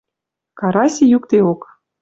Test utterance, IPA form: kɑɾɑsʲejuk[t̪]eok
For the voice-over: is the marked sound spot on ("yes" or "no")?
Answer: yes